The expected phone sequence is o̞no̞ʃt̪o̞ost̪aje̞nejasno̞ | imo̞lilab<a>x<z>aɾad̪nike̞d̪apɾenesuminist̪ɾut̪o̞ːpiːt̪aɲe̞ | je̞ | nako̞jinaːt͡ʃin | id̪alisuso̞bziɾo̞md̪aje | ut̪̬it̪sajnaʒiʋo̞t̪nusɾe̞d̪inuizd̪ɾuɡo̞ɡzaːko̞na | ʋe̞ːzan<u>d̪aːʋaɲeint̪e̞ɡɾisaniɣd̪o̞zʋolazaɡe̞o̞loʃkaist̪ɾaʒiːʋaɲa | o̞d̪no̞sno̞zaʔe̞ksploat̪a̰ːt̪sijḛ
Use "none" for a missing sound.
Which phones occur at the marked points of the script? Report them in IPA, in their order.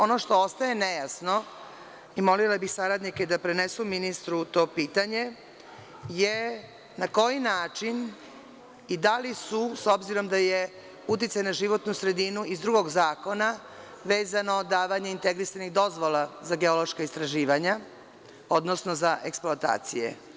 i, s, o

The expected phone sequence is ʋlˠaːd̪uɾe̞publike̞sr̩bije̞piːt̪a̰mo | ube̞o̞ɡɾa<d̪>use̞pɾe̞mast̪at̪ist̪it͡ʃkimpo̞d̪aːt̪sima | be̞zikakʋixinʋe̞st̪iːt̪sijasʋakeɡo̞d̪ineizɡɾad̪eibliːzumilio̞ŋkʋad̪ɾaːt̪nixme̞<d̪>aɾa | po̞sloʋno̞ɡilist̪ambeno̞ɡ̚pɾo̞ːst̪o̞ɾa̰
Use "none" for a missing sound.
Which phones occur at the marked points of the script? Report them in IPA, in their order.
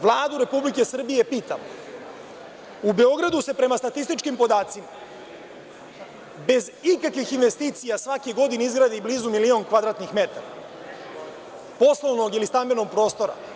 d̪, t̪

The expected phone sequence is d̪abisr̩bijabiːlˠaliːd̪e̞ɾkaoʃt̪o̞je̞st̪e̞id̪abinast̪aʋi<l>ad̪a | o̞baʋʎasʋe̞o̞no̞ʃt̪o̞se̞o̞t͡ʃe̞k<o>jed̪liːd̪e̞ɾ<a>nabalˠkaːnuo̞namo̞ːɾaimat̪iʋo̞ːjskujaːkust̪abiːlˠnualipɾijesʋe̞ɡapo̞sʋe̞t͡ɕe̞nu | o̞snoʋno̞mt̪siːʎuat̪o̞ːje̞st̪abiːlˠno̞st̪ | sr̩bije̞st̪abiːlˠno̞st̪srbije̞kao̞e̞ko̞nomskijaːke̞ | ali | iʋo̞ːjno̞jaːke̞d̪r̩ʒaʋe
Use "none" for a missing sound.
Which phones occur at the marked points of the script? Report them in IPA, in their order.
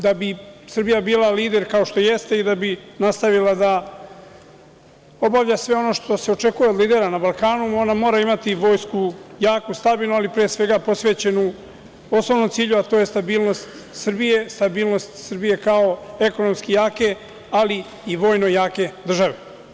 l, u, a

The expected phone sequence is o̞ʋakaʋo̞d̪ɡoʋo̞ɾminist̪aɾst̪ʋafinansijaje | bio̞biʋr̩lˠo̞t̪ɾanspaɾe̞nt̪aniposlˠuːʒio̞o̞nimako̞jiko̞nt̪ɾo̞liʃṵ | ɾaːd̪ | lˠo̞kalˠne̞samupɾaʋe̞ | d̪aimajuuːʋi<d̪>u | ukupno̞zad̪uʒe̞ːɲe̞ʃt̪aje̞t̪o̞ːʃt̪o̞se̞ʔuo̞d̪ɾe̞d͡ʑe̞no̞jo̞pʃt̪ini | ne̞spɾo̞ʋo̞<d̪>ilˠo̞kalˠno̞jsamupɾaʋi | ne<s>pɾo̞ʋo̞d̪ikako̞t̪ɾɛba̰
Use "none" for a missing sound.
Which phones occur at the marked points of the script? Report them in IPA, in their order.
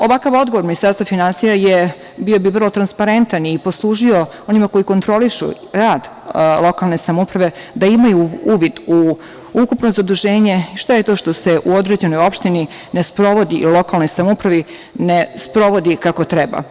d̪, d̪, s

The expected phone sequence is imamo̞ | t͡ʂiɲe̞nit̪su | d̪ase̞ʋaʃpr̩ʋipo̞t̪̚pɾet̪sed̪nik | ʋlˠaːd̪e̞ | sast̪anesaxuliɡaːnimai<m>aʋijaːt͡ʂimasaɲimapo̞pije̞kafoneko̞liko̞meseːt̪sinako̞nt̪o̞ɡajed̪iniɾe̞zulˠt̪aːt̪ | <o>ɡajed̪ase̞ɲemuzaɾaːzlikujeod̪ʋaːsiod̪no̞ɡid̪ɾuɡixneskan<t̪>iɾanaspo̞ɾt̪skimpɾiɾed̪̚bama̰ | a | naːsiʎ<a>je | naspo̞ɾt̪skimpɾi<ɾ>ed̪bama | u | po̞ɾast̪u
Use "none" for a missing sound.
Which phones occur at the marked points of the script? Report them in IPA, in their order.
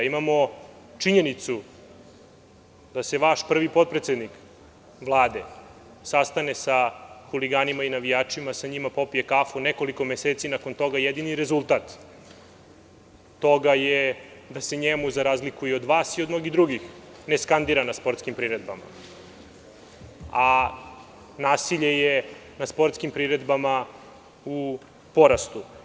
n, o, d̪, e, ɾ

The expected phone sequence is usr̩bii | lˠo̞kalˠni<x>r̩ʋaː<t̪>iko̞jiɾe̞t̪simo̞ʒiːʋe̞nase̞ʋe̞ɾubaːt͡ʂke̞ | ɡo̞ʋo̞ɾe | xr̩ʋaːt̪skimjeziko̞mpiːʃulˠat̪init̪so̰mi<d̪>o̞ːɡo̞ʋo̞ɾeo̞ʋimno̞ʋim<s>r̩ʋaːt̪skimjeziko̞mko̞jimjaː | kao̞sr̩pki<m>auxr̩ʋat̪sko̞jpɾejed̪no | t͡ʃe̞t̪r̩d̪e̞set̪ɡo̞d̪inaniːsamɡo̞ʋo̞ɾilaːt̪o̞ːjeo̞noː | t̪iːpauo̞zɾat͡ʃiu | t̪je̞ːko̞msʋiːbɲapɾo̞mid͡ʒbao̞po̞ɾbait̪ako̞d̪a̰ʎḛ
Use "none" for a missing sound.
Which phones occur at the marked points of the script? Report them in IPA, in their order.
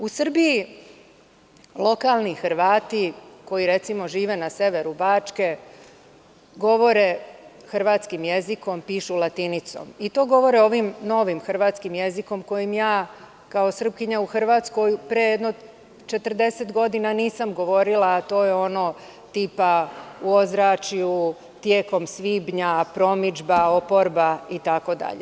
x, t̪, t̪, x, ɲ

